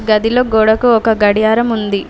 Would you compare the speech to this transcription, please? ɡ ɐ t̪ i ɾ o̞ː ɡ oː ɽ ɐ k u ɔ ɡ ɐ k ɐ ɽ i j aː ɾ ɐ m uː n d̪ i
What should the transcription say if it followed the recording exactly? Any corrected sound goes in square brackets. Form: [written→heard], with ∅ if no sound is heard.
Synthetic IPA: ɡ ɐ [t̪→d̪] i [ɾ→l] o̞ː ɡ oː ɽ ɐ k u ɔ [ɡ→k] ɐ [k→ɡ] ɐ ɽ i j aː ɾ ɐ m [uː→u] n d̪ i